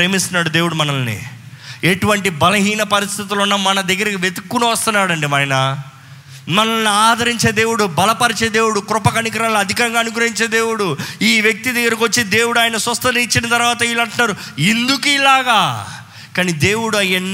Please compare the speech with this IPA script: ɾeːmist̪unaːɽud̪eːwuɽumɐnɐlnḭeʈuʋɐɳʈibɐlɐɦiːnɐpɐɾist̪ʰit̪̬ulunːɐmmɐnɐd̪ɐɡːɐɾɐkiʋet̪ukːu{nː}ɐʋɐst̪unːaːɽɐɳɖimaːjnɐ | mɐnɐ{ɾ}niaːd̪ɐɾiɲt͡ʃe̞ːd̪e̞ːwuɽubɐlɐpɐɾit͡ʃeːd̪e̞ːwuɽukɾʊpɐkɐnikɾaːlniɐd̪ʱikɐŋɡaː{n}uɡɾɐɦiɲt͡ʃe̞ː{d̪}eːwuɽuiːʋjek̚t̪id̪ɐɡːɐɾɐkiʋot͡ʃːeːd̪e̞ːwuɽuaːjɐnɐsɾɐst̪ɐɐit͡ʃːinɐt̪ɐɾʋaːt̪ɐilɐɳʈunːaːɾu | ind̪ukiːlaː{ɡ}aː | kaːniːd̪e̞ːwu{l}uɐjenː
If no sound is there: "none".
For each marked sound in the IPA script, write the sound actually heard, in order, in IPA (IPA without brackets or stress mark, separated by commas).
n, l, n, d̪, ɡ, ɽ